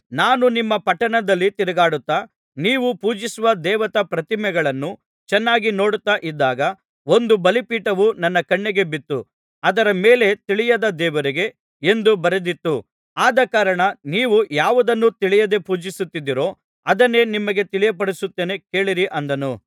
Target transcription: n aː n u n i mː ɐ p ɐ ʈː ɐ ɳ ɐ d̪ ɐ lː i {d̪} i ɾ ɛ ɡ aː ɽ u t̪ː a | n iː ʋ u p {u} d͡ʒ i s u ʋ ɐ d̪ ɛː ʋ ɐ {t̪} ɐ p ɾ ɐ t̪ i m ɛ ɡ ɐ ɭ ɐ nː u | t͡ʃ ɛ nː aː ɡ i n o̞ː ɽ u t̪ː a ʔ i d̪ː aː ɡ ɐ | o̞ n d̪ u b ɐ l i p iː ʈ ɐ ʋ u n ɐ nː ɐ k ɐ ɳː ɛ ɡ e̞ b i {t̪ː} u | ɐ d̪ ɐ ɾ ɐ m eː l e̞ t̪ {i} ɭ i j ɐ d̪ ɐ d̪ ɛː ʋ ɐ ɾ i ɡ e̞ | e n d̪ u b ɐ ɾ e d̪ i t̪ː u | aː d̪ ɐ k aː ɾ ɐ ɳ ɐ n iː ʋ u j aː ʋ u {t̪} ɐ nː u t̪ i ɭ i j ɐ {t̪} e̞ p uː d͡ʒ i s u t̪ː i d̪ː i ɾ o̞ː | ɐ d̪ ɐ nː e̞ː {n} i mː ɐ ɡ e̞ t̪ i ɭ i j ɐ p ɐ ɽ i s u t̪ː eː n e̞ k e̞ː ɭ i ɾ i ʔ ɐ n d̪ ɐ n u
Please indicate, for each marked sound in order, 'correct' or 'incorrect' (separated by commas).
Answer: incorrect, incorrect, correct, correct, correct, incorrect, incorrect, correct